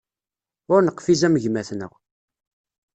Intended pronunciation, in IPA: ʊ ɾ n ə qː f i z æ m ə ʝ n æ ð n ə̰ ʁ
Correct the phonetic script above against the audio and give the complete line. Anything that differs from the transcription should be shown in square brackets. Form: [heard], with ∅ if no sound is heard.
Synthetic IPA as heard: ʊ ɾ n ə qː f i z æ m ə ʝ [m] æ [θ] n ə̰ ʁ